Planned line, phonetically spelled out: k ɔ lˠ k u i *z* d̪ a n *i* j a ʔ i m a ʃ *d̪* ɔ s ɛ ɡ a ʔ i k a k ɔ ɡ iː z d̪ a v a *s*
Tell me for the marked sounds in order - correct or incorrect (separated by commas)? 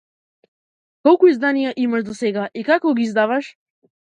correct, correct, correct, incorrect